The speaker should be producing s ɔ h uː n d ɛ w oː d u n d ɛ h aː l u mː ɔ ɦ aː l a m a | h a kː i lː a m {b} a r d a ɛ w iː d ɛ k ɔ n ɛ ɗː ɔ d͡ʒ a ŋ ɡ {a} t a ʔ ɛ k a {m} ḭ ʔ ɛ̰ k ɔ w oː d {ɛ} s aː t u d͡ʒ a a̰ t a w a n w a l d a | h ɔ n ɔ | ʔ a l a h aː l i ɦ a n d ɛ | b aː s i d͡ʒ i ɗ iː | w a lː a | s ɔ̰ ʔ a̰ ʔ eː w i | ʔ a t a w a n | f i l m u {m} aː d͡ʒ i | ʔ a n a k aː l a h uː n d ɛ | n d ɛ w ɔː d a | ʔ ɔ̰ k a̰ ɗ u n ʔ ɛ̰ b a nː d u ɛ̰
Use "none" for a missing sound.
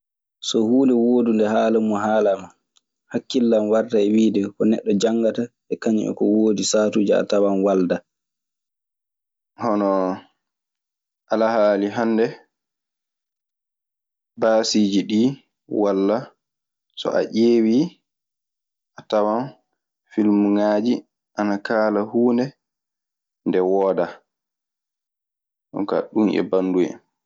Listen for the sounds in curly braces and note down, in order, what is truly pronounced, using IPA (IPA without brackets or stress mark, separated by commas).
w, a, ɲ, i, ŋ